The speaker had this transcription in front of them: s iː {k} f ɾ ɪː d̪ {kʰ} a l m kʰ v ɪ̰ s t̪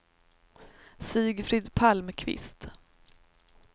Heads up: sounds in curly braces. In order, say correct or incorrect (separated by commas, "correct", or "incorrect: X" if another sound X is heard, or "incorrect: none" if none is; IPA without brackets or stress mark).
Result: incorrect: ɡ, incorrect: pʰ